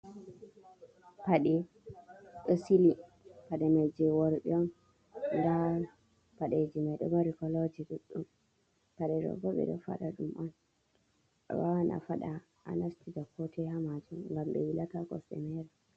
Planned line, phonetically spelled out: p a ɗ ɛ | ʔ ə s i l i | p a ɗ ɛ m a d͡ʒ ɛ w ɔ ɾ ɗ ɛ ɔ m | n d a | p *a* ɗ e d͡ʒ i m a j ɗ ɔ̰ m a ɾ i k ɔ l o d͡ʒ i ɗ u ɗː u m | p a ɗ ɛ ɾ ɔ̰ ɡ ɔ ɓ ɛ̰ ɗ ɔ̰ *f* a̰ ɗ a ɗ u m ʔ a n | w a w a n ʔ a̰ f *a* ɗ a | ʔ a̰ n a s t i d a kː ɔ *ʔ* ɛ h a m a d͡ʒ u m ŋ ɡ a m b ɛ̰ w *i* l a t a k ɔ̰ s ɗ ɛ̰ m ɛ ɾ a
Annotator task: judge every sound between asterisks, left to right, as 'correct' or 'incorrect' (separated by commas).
correct, correct, correct, incorrect, correct